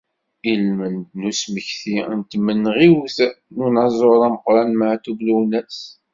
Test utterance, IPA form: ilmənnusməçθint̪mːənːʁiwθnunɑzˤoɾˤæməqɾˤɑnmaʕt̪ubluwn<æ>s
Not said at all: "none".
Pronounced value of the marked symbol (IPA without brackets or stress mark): æ